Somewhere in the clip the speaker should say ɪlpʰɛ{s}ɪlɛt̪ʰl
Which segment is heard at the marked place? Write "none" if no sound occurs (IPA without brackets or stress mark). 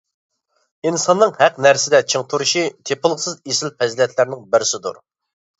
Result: z